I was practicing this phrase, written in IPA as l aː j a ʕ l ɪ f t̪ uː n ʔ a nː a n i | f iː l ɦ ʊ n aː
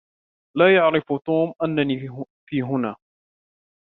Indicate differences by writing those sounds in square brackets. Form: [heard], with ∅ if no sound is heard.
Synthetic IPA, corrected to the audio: l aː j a ʕ [ɾ] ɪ f t̪ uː [m] ʔ a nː a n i | f iː [∅] ɦ ʊ n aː